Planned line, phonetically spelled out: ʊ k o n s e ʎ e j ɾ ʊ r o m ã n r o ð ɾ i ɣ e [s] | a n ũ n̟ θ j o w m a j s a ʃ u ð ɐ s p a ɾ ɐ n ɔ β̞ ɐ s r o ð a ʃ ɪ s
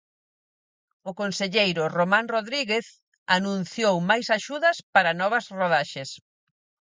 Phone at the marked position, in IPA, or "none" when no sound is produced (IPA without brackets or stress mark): θ